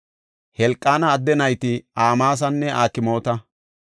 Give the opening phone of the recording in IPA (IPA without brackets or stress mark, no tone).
h